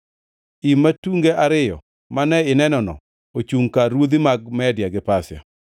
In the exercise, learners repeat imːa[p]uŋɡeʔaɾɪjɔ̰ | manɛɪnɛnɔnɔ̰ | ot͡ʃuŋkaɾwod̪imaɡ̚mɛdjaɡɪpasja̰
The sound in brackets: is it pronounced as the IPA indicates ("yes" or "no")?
no